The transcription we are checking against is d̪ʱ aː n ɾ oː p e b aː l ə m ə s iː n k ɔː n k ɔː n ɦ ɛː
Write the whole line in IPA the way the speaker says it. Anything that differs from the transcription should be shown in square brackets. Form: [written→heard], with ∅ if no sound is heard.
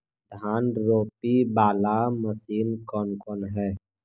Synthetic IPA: d̪ʱ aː n ɾ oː p [e→i] b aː l [ə→a] m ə s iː n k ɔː n k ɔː n ɦ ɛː